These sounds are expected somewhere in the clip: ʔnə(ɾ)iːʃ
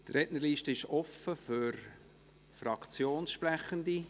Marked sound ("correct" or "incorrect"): incorrect